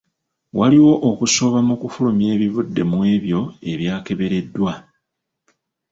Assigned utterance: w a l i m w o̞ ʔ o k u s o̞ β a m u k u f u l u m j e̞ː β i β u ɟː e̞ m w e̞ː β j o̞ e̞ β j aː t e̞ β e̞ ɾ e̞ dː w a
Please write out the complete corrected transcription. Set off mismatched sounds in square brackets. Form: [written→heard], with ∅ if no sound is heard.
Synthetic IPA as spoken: w a l i [m→∅] w o̞ ʔ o k u s o̞ β a m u k u f u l u m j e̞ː β i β u [ɟː→dː] e̞ m w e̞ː β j o̞ e̞ β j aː [t→k] e̞ β e̞ ɾ e̞ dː w a